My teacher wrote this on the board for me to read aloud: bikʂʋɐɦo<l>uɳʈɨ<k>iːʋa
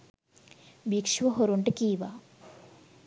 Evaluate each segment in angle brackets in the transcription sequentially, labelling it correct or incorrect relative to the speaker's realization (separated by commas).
incorrect, correct